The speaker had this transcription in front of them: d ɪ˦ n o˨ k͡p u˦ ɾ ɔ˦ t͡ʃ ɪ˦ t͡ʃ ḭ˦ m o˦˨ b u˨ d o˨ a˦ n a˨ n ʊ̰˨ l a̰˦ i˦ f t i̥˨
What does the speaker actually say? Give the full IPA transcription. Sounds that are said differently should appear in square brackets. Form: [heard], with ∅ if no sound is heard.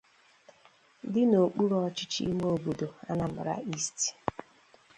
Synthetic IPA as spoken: d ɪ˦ n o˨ k͡p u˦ ɾ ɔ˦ t͡ʃ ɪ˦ t͡ʃ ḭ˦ m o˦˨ b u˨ d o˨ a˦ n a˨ [m] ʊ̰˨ [ɾ] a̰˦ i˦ [s] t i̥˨